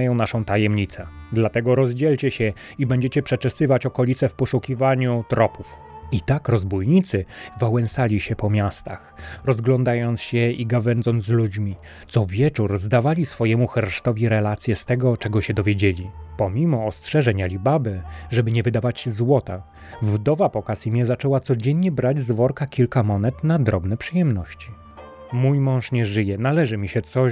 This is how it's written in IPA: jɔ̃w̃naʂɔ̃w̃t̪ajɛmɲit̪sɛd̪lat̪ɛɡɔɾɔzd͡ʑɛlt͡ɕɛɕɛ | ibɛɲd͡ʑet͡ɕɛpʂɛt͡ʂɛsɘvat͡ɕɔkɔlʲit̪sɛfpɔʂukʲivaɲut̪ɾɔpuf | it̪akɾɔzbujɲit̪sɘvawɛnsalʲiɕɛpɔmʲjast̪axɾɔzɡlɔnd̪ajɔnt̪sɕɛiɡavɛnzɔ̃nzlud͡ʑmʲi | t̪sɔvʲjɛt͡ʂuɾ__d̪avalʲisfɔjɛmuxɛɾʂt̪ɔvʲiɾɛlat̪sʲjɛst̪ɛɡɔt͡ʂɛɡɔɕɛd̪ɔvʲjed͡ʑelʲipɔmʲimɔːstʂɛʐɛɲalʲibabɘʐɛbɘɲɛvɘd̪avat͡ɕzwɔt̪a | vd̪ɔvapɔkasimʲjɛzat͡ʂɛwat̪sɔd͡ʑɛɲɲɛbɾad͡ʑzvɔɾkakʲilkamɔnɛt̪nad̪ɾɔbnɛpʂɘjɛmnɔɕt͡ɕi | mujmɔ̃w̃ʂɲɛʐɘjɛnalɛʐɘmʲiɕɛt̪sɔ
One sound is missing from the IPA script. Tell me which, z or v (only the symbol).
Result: z